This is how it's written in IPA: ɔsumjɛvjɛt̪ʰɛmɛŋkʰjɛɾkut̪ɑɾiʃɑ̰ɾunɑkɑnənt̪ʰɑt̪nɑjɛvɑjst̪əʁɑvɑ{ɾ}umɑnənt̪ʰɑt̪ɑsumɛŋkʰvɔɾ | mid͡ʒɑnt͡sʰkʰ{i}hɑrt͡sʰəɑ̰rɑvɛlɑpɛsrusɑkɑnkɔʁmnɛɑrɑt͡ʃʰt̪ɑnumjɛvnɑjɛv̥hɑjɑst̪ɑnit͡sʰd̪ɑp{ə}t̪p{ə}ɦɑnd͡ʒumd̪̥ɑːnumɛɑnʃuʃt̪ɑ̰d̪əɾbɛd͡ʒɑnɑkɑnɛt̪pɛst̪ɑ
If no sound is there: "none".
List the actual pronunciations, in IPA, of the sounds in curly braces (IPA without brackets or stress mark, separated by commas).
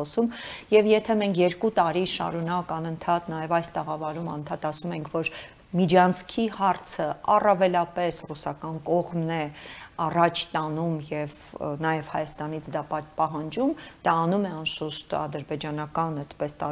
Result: ɾ, i, ɑ, ɑ